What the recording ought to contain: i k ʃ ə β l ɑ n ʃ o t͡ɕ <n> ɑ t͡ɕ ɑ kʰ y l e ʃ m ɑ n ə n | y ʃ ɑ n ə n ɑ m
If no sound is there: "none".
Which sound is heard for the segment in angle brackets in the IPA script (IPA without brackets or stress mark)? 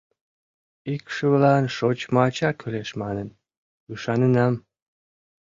m